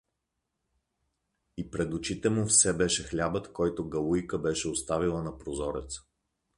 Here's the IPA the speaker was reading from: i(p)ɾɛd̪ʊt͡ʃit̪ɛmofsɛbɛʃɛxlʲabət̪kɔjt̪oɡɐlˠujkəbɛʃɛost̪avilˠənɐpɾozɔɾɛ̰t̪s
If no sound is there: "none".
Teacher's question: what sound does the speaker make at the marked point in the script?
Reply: p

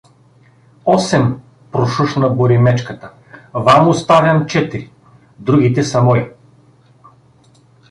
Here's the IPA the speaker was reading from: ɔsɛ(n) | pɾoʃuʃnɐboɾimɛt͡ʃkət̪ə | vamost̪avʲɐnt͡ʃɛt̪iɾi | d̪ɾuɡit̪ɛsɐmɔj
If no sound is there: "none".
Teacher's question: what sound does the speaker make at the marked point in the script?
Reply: m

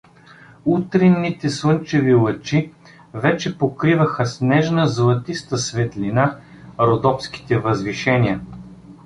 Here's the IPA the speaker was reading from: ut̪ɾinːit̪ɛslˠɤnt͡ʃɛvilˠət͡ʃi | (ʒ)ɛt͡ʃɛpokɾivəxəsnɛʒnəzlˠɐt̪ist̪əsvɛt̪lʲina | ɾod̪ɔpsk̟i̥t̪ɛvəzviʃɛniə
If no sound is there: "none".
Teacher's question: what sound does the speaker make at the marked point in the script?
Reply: v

